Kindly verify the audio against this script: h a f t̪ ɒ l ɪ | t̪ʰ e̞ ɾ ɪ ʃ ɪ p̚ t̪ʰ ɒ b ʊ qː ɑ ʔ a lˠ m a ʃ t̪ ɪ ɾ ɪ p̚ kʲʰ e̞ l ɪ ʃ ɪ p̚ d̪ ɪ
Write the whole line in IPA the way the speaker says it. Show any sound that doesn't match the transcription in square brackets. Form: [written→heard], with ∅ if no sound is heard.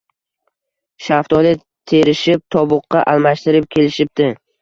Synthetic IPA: [h→ʃ] a f t̪ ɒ l ɪ | t̪ʰ e̞ ɾ ɪ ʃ ɪ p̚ t̪ʰ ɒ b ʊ qː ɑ ʔ a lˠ m a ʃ t̪ ɪ ɾ ɪ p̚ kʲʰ e̞ l ɪ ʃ ɪ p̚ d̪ ɪ